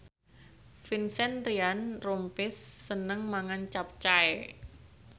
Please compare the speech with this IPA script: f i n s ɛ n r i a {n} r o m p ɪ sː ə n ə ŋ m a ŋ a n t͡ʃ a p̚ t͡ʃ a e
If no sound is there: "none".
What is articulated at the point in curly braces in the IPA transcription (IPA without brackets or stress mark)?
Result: n